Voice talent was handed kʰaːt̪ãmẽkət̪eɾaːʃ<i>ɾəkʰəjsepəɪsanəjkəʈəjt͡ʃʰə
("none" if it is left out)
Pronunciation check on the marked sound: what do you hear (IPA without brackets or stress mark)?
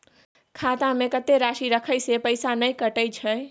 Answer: i